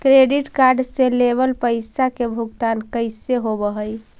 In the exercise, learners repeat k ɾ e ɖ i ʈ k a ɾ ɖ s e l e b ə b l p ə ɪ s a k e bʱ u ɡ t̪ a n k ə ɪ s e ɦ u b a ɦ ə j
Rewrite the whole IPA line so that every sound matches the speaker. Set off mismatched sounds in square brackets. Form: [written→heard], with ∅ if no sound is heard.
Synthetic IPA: k ɾ e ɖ i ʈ k a ɾ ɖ s e l e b ə [b→∅] l p ə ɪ s a k e bʱ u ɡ t̪ a n k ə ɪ s e ɦ [u→o] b [a→ə] ɦ ə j